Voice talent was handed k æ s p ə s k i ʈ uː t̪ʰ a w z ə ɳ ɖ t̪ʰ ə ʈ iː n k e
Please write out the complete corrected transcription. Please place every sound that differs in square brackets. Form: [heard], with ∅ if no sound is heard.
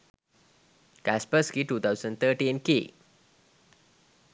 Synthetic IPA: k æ s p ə s k i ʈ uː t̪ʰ a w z ə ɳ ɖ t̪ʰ ə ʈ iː n k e